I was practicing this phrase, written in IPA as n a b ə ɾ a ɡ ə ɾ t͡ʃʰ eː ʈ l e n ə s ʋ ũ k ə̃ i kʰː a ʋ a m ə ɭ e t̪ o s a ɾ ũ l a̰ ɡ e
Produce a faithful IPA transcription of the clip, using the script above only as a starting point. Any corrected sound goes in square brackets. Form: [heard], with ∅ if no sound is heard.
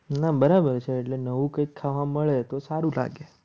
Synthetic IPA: n a b ə ɾ a [b] ə ɾ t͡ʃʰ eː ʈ l e n ə [∅] ʋ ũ k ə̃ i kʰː a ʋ a m ə ɭ e t̪ o s a ɾ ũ l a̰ ɡ e